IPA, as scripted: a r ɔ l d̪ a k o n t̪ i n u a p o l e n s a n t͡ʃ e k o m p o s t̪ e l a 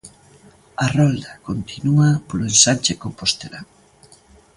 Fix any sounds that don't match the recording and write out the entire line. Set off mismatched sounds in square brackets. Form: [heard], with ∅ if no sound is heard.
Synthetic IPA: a r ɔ l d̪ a k o n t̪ i n u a p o l e n s a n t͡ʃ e k o m p o s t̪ e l a